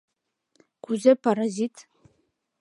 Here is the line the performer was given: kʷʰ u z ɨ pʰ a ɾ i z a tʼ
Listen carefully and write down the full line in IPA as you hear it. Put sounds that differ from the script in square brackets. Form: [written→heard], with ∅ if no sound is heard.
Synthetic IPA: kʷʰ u z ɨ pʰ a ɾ [i→a] z [a→i] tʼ